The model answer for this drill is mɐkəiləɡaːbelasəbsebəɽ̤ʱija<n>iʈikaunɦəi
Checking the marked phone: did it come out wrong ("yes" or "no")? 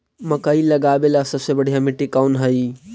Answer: yes